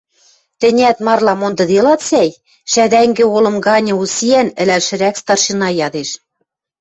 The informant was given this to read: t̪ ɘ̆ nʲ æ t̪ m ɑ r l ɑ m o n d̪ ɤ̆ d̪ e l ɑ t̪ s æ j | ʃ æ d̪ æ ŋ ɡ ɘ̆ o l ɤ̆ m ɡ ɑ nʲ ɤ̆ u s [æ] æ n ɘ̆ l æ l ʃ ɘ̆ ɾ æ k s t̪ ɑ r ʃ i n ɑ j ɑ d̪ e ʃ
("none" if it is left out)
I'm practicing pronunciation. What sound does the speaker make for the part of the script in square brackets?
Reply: i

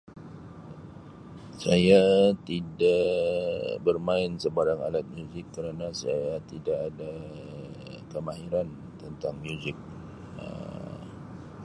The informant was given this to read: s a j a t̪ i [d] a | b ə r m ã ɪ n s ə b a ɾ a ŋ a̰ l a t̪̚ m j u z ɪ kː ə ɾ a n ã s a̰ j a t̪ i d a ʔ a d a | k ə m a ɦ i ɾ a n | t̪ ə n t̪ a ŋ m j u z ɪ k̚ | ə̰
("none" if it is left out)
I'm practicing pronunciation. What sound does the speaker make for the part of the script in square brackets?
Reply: d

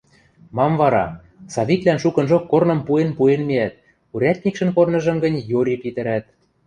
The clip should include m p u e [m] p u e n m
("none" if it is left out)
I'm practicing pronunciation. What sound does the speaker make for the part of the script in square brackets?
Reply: n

